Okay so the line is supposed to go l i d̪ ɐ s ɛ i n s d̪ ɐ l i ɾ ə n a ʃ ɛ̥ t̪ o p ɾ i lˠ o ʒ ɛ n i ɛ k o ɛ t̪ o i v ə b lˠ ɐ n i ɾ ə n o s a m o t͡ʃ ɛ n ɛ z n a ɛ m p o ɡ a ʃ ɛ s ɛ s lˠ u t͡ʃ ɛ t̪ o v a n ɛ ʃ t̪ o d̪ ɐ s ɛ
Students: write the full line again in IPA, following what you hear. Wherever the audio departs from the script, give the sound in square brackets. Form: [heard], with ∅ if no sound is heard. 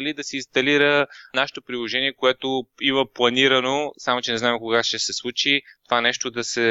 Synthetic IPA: l i d̪ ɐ s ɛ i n s [t̪] ɐ l i ɾ ə n a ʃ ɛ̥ t̪ o p ɾ i lˠ o ʒ ɛ n i ɛ k o ɛ t̪ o i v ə [p] lˠ ɐ n i ɾ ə n o s a m o t͡ʃ ɛ n ɛ z n a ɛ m [k] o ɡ a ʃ ɛ s ɛ s lˠ u t͡ʃ [i] t̪ o v a n ɛ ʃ t̪ o d̪ ɐ s ɛ